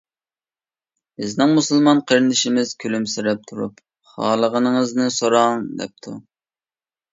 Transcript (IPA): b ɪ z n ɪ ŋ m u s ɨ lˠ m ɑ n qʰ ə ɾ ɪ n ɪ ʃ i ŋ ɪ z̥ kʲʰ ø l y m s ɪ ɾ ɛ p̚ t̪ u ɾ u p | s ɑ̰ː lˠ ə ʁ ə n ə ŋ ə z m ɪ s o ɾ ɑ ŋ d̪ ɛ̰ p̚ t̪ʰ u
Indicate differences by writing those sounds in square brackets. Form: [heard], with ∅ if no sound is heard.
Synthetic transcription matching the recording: b ɪ z n ɪ ŋ m u s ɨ lˠ m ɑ n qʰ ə ɾ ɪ n ɪ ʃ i [m] ɪ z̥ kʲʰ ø l y m s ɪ ɾ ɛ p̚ [t̪ʰ] u ɾ u p | [χ] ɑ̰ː lˠ ə ʁ ə n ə ŋ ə z [n] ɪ s o ɾ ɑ ŋ d̪ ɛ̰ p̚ t̪ʰ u